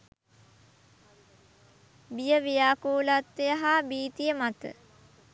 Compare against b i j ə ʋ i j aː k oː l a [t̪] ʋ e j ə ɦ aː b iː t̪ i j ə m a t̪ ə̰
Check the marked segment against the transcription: correct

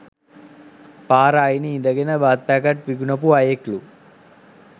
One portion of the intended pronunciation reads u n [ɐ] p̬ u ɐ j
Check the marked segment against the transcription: correct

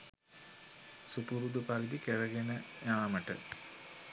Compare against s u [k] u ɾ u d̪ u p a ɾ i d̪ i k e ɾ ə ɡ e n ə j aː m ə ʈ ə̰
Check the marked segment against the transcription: incorrect: p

